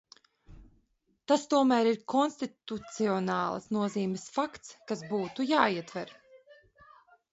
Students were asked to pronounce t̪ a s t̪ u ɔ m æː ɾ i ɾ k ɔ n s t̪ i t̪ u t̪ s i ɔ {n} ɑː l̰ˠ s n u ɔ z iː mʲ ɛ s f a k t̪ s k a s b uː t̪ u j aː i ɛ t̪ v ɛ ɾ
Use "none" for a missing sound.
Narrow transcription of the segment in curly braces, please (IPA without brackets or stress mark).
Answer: n